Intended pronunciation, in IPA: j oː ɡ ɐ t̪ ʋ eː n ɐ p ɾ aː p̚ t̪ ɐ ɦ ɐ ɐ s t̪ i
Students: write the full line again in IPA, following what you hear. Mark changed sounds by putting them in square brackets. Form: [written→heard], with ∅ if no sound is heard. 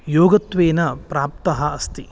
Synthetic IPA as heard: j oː ɡ ɐ t̪ ʋ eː n ɐ p ɾ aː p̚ t̪ ɐ ɦ ɐ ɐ s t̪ i